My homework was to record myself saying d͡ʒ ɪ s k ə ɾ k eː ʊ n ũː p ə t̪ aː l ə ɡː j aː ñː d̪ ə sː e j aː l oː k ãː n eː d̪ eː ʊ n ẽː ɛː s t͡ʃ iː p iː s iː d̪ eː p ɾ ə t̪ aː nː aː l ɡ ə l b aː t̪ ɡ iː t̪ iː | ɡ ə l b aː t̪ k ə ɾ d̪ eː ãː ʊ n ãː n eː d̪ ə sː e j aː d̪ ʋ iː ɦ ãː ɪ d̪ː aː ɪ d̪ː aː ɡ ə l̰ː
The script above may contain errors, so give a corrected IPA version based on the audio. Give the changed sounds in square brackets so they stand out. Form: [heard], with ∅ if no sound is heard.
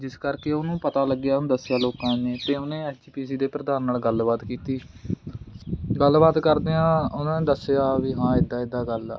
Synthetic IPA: d͡ʒ ɪ s k ə ɾ k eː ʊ n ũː p ə t̪ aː l ə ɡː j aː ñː d̪ ə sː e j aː l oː k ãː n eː [t̪] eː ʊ n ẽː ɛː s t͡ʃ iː p iː s iː d̪ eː p ɾ ə [d̪] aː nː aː l ɡ ə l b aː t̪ [k] iː t̪ iː | ɡ ə l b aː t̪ k ə ɾ d̪ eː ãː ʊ n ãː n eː d̪ ə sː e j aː [∅] ʋ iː ɦ ãː ɪ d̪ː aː ɪ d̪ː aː ɡ ə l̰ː